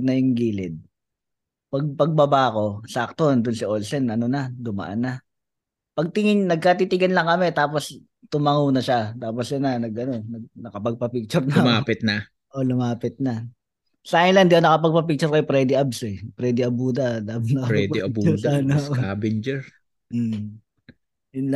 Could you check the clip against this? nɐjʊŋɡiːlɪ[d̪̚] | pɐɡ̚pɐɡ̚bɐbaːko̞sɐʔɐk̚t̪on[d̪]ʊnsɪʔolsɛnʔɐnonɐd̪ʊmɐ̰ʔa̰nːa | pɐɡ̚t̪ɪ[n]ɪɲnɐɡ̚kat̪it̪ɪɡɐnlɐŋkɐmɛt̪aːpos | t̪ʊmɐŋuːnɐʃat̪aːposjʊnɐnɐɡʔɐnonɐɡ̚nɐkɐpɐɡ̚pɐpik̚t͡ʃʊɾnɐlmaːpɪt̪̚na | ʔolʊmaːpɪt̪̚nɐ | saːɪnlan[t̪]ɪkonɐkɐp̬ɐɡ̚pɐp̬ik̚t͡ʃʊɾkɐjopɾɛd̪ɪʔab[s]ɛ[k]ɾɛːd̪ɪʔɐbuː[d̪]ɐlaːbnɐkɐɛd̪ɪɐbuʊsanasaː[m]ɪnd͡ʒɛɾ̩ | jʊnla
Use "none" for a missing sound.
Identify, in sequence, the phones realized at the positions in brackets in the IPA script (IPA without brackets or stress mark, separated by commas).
d̪̚, d̪, ŋ, d̪, s, p, d̪, b